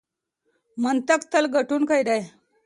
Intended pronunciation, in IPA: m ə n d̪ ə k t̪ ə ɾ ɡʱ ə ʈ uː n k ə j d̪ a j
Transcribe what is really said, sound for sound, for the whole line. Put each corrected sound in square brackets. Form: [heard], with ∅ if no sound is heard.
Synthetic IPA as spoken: m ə n [t̪] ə k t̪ ə [l] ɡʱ ə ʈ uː n k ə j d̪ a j